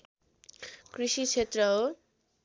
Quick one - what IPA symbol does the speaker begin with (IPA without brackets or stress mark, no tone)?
k